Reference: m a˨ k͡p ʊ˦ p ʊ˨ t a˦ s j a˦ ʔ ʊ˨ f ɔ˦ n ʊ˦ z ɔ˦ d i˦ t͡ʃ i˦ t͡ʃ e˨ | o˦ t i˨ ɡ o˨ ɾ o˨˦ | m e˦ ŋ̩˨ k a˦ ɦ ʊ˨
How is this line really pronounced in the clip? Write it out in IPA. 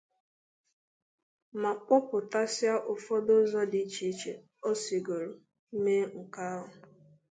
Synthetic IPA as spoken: m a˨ k͡p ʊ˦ p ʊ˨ t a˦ s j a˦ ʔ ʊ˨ f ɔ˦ d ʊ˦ z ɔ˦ d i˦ t͡ʃ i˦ t͡ʃ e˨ | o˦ s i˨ ɡ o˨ ɾ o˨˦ | m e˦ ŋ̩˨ k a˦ ɦ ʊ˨